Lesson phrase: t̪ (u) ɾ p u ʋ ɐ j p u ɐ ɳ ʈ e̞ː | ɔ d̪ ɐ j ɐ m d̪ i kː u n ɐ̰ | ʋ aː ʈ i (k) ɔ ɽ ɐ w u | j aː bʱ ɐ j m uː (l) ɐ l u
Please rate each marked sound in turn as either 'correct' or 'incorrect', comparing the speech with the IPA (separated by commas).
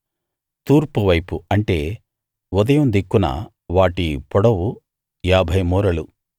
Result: incorrect, incorrect, incorrect